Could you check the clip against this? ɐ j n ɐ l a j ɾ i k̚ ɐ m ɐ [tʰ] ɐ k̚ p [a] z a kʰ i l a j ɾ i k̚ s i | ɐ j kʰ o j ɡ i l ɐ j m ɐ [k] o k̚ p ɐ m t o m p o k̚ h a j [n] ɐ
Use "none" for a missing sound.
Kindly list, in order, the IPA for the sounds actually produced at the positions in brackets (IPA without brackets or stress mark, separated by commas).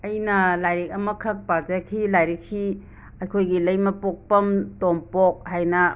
kʰ, a, p, n